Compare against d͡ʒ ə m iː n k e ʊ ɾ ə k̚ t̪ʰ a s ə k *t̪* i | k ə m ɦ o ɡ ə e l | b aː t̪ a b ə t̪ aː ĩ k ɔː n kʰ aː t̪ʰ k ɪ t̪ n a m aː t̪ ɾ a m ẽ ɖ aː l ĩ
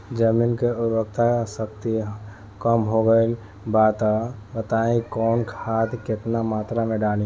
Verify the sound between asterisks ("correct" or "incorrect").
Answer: correct